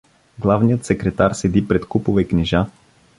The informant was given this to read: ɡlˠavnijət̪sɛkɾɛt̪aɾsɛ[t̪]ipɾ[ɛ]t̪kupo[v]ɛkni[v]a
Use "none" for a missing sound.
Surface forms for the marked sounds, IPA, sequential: d̪, ɛ, v, ʒ

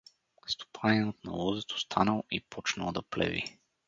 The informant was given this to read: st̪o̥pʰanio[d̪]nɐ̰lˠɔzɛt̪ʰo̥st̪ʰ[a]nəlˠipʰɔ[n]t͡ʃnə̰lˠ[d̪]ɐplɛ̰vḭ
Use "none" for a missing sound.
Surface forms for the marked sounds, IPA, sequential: t̪, a, none, d̪

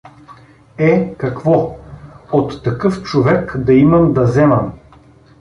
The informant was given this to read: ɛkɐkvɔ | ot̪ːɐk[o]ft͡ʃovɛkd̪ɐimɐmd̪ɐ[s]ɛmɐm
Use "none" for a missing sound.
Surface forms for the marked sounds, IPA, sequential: ɤ, z

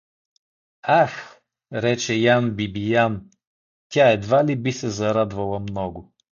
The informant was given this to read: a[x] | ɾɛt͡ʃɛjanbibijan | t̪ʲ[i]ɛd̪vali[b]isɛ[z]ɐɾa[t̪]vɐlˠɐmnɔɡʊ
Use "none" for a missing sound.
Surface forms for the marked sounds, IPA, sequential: x, a, b, z, d̪

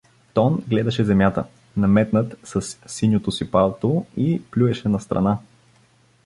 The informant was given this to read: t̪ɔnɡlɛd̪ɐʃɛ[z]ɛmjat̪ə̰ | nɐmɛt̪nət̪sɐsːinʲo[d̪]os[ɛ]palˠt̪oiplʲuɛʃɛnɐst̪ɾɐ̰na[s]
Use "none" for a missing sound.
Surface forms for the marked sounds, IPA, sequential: z, t̪, i, none

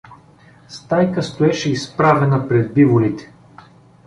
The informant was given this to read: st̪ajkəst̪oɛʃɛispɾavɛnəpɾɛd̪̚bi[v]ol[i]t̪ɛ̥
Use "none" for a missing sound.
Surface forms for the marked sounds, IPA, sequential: v, i

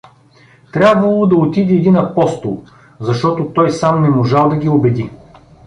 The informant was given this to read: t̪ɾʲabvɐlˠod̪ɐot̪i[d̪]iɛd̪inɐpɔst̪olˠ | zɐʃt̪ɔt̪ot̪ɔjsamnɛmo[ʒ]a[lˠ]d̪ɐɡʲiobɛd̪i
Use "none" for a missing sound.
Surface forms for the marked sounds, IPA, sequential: d̪, ʒ, lˠ

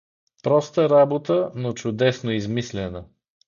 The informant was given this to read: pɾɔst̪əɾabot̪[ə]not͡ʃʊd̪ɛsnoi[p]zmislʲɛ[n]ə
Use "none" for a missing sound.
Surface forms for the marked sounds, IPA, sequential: ə, none, n

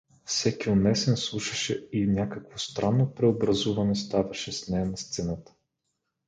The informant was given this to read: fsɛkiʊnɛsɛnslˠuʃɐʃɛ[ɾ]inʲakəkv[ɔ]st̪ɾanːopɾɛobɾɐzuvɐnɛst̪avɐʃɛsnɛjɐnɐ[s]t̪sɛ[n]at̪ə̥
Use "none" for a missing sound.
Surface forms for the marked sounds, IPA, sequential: none, o, s, n

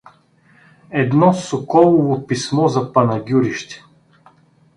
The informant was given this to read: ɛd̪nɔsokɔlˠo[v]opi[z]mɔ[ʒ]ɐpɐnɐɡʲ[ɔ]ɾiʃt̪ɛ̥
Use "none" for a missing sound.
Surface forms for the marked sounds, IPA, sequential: v, s, z, u

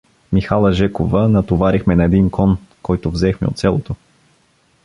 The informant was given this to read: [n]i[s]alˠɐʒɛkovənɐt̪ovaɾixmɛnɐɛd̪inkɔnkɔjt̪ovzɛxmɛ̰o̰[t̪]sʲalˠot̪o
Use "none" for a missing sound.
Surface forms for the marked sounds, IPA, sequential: m, x, t̪

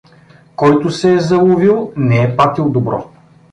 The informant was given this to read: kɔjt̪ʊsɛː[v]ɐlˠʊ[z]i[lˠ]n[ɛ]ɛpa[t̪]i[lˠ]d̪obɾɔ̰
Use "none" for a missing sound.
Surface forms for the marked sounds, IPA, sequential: z, v, lˠ, ɛ, t̪, lˠ

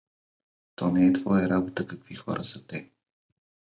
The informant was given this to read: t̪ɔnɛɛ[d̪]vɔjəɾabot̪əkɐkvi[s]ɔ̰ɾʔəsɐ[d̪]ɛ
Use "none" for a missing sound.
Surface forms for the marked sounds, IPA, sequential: t̪, x, t̪

